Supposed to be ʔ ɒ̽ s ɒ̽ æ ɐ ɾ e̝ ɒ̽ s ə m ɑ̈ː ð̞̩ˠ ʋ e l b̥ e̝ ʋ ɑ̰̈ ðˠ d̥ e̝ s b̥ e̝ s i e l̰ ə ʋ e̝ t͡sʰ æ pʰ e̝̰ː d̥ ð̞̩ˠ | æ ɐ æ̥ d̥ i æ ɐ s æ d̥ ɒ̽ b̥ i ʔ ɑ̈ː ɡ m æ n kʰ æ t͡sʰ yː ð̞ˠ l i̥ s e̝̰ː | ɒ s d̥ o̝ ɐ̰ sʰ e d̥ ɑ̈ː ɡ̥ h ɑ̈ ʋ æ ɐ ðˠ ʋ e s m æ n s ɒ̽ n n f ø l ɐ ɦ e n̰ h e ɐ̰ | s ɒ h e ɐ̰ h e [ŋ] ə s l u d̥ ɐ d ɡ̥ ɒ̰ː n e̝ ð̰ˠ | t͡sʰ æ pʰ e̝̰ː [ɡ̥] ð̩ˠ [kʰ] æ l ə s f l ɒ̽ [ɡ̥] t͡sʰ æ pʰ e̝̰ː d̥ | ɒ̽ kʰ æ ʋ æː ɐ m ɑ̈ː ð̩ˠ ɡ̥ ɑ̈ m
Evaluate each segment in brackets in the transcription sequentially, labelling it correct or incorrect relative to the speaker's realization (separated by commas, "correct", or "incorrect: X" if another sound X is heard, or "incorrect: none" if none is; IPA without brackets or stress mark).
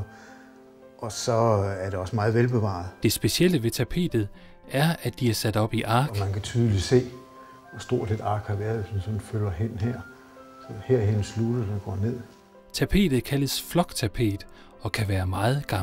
incorrect: n, incorrect: d̥, correct, correct